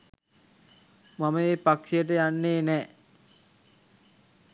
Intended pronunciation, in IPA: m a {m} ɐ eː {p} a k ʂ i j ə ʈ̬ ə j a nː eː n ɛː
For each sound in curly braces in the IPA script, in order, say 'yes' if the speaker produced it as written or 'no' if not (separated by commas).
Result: yes, yes